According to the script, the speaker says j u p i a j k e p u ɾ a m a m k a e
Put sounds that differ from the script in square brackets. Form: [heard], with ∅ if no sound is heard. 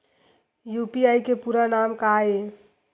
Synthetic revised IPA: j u p i a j k e p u ɾ a [n] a m k a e